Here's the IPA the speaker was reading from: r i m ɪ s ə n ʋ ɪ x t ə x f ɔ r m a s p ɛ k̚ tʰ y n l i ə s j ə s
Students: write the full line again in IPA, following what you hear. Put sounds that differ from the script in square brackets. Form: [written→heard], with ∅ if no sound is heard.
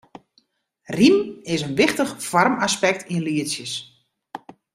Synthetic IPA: r i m ɪ s ə n ʋ ɪ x t ə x f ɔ r m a s p ɛ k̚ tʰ [y→i] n l i ə s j ə s